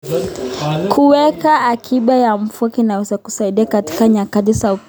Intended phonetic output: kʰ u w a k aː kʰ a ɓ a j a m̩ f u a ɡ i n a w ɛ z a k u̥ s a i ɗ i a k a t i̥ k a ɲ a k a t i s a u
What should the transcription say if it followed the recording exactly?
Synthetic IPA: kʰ u w ɛ k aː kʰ i ɓ a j a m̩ f u a k i n a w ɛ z a k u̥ s a i ɗ i a k a t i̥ k a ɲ a k a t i s a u